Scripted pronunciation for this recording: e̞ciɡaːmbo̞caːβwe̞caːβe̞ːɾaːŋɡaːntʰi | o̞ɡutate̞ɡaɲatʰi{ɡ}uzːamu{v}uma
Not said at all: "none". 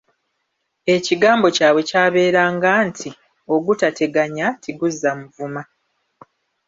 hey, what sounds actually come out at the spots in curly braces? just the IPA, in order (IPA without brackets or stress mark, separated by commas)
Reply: ɡ, v